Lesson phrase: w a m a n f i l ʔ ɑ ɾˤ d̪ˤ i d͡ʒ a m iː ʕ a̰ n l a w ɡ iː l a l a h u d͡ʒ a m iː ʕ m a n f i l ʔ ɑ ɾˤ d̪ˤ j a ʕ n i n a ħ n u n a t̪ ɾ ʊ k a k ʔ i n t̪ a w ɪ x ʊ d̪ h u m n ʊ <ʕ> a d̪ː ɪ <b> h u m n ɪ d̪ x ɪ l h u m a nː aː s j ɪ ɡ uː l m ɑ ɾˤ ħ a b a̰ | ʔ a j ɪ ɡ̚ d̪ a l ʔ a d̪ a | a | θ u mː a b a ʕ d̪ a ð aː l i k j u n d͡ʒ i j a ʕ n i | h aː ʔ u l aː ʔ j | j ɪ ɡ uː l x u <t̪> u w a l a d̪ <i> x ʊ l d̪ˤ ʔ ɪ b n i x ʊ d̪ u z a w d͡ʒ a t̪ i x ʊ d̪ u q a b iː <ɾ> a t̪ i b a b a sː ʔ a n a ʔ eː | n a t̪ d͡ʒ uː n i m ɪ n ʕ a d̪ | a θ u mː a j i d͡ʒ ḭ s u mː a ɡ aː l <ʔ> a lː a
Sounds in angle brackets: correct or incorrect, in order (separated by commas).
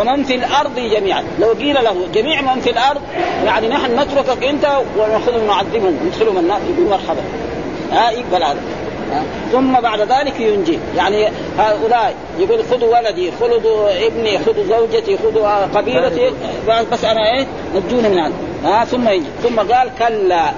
correct, correct, incorrect, correct, incorrect, incorrect